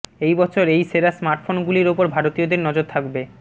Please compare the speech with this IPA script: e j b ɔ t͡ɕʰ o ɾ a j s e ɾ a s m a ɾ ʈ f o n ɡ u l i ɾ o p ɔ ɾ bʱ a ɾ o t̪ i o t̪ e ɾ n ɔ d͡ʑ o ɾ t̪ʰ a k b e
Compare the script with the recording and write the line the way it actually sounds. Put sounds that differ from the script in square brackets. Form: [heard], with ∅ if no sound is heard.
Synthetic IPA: e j b ɔ t͡ɕʰ o ɾ [e] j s e ɾ a s m a ɾ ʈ f o n ɡ u l i ɾ o p [o] ɾ bʱ a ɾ o t̪ i o [d̪] e ɾ n ɔ d͡ʑ o ɾ t̪ʰ a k b e